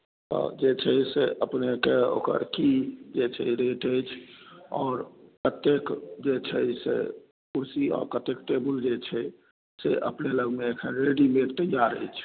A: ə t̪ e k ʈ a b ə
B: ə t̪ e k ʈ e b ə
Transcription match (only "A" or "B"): B